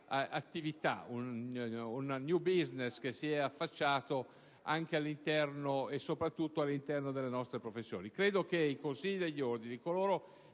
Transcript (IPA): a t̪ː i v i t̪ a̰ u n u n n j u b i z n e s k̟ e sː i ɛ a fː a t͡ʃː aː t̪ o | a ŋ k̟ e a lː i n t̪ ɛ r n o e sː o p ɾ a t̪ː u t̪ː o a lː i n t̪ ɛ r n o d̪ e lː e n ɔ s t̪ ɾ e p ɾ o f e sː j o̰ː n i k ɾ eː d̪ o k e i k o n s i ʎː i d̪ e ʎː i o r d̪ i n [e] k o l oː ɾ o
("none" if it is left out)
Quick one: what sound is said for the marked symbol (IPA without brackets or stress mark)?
i